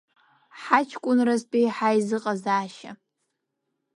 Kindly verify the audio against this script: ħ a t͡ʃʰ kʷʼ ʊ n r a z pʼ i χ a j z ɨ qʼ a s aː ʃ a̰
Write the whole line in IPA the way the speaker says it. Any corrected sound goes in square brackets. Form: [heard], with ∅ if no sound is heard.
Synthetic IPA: ħ a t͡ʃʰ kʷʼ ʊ n r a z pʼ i [ħ] a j z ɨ qʼ a [z] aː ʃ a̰

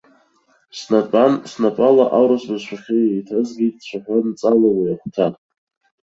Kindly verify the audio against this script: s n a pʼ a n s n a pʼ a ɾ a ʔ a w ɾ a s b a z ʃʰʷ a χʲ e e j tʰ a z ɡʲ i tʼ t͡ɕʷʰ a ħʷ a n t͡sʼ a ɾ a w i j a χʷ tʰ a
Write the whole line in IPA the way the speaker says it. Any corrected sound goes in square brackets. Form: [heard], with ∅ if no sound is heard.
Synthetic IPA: s n a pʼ a n s n a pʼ a [l] a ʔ a w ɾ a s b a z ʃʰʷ a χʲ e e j tʰ a z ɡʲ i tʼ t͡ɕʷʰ a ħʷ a n t͡sʼ a [l] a w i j a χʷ tʰ a

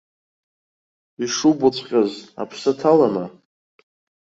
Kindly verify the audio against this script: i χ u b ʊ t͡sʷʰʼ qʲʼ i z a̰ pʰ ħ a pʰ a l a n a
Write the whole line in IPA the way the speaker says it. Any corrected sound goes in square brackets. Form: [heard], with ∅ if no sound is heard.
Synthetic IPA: i [ʂ] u b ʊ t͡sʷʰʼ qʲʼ [a] z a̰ pʰ [s] a [tʰ] a l a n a

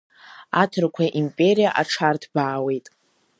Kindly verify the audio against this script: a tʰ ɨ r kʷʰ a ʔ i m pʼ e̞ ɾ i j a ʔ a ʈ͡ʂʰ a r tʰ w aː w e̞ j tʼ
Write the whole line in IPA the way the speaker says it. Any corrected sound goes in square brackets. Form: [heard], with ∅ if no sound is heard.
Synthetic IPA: a tʰ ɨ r kʷʰ a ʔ i m pʼ e̞ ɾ i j a ʔ a ʈ͡ʂʰ a r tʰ [b] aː w e̞ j tʼ

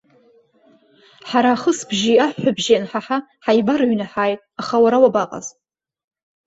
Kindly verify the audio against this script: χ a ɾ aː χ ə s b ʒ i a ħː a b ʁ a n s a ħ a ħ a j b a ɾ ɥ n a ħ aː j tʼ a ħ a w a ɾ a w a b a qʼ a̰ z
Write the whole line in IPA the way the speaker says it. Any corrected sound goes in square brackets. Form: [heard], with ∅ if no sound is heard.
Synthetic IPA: [ħ] a ɾ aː χ ə s b ʒ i a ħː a b [ʒ] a n [ħ] a ħ a ħ a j b a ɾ ɥ n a ħ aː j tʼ a [χ] a w a ɾ a w a b a qʼ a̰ z

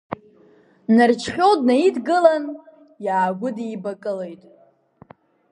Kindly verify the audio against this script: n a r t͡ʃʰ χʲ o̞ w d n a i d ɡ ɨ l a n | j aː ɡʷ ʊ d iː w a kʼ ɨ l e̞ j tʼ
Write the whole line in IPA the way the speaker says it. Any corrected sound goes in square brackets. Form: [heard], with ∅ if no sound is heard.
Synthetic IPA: n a r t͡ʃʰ χʲ o̞ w d n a i d ɡ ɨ l a n | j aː ɡʷ ʊ d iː [b] a kʼ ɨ l e̞ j tʼ

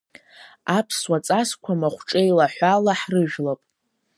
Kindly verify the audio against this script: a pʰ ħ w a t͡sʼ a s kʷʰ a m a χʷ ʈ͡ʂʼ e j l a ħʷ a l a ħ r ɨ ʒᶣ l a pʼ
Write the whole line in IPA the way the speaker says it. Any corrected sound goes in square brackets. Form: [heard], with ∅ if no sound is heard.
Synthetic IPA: a pʰ [s] w a t͡sʼ a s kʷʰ a m a χʷ ʈ͡ʂʼ e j l a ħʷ a l a ħ r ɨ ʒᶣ l a pʼ

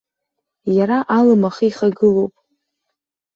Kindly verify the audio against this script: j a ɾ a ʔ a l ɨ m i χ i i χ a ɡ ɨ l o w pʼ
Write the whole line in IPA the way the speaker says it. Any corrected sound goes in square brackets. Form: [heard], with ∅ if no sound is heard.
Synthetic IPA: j a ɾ a ʔ a l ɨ m [a] χ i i χ a ɡ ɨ l o w pʼ

